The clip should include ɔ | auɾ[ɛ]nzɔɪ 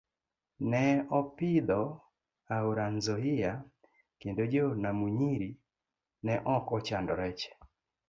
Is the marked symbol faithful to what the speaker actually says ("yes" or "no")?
no